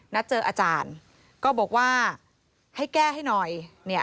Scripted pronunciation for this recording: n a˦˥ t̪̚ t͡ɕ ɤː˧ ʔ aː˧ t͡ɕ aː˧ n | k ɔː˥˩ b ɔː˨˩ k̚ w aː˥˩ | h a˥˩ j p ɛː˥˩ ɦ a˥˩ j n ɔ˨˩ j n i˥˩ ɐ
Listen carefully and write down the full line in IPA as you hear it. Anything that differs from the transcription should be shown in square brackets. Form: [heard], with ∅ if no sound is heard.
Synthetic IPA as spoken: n a˦˥ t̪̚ t͡ɕ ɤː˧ ʔ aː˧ t͡ɕ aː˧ n | k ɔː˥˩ b ɔː˨˩ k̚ w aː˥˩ | h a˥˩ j [k] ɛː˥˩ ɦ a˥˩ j n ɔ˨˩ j n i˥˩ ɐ